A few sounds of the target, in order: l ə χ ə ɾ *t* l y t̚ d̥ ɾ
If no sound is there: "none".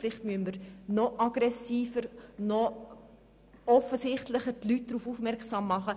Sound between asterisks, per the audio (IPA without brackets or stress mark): t